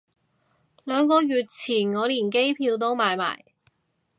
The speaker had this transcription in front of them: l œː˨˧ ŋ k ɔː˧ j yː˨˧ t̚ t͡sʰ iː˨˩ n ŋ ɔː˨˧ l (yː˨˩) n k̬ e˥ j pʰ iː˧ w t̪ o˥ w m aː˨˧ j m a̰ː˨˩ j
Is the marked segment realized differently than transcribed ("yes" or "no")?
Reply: yes